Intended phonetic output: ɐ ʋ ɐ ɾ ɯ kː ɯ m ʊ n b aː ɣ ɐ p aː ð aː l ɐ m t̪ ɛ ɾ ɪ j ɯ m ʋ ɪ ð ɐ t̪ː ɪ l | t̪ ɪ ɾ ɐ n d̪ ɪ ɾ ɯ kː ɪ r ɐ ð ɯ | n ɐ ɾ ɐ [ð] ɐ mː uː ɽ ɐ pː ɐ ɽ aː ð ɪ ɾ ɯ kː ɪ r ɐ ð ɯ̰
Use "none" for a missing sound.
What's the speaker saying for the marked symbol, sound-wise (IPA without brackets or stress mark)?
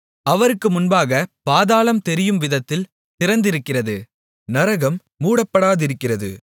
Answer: ɣ